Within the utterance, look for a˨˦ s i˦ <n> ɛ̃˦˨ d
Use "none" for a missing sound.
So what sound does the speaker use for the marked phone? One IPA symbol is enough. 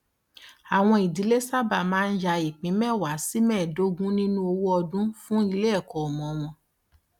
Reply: m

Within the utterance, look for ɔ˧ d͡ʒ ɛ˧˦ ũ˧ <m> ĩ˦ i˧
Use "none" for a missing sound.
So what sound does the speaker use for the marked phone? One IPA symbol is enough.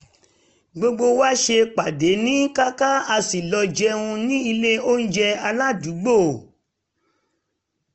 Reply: n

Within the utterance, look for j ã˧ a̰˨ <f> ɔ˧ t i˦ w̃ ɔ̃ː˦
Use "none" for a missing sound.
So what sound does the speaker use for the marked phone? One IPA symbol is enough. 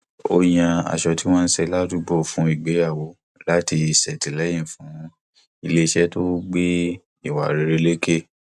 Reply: ʃ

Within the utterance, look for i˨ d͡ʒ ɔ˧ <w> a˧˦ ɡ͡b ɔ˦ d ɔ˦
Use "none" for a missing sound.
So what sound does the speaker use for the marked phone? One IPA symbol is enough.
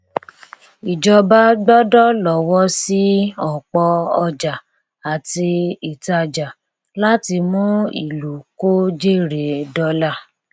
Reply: b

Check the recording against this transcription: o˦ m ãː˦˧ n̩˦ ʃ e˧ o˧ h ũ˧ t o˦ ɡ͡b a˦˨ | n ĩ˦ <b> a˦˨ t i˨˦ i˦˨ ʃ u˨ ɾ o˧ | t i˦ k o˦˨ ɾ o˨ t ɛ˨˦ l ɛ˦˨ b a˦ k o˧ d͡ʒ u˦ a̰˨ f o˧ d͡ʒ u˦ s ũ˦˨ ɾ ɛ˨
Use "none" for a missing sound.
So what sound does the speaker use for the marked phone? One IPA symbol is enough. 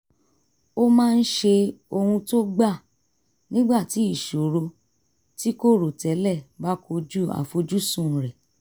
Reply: ɡ͡b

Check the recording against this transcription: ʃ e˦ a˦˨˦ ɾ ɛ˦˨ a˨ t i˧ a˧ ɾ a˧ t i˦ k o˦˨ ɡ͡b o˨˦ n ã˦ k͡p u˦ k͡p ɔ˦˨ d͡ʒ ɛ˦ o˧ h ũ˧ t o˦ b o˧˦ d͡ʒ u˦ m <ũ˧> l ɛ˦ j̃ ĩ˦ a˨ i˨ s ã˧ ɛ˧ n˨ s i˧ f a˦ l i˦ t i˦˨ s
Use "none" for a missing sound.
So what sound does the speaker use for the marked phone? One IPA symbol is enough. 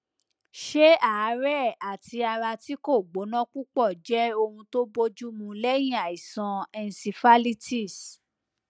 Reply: ũ˧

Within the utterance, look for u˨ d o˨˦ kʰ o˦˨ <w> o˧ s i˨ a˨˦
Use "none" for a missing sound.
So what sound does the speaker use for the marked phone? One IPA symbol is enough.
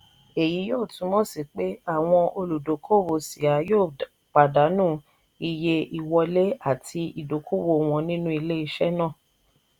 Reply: w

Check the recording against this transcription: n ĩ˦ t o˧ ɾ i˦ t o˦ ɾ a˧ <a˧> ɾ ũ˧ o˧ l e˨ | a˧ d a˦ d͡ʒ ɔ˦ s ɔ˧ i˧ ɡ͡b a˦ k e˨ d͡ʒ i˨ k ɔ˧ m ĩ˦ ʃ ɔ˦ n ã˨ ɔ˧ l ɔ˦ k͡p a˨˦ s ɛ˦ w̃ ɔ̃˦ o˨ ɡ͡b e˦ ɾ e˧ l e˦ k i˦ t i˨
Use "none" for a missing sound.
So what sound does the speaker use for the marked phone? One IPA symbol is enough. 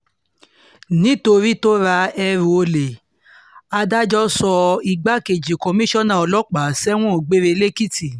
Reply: ɛ˧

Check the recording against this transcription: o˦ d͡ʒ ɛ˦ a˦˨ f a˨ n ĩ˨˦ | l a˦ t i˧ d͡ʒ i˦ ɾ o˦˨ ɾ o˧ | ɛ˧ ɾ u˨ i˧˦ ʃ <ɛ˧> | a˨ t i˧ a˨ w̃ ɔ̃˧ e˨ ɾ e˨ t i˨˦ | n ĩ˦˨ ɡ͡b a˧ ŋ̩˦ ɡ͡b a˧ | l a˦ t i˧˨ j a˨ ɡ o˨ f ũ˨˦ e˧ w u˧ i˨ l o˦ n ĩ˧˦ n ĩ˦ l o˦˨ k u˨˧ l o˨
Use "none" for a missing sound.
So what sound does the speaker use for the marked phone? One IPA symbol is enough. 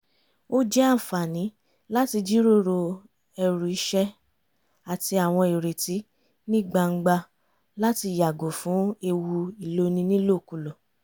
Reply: ɛ˧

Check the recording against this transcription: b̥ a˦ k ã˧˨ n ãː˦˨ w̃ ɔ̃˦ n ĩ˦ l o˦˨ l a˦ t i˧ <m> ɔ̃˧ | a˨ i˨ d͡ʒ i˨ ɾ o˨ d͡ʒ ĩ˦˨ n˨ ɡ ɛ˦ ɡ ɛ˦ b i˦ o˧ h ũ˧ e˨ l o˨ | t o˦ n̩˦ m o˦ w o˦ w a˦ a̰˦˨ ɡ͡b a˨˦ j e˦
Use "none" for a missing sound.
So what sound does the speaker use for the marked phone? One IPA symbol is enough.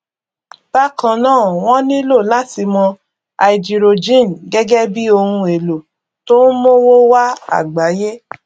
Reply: m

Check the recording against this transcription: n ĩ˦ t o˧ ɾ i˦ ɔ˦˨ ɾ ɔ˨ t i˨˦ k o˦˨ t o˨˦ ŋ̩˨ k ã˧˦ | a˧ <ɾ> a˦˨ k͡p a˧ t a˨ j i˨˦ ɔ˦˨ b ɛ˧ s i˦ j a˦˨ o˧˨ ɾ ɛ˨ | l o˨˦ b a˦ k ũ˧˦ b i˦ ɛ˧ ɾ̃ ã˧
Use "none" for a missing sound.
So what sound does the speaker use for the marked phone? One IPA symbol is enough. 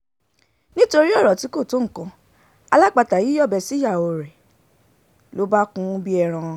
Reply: l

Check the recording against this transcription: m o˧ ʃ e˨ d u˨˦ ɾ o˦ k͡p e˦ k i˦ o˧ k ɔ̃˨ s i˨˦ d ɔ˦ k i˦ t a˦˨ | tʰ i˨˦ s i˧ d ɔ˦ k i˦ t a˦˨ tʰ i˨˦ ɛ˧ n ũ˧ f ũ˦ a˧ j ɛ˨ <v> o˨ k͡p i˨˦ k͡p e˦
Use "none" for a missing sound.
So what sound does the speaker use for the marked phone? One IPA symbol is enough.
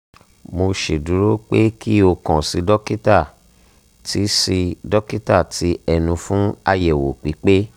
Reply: w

